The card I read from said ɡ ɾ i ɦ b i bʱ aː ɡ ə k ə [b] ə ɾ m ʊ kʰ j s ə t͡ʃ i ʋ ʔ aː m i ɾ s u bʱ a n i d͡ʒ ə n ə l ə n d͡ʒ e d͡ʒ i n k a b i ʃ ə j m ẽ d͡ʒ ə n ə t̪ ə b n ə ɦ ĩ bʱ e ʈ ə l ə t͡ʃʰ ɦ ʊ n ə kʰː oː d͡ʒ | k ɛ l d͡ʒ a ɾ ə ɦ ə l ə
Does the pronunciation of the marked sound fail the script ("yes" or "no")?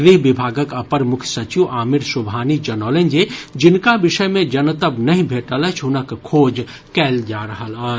yes